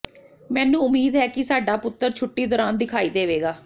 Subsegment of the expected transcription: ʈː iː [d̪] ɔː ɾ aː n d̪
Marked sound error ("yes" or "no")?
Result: no